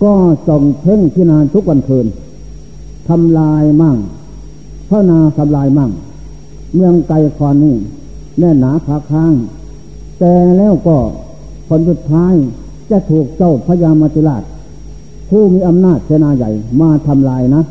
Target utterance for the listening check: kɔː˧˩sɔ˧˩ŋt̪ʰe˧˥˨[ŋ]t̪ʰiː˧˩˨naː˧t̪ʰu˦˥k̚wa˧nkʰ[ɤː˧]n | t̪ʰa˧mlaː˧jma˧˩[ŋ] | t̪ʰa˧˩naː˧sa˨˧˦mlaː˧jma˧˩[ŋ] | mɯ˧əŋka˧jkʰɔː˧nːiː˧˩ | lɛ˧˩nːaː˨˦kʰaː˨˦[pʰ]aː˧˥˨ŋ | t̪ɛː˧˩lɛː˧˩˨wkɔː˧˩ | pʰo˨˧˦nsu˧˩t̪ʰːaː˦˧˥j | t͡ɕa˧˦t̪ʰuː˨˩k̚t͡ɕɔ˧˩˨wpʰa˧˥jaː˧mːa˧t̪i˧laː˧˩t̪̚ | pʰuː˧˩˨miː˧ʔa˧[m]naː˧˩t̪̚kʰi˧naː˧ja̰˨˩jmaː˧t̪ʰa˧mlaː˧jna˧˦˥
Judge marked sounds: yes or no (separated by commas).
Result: yes, yes, yes, yes, no, yes